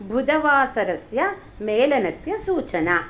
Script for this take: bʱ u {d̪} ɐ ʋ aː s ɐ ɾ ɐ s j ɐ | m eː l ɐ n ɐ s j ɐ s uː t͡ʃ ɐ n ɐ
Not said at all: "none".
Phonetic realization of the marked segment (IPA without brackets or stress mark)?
d̪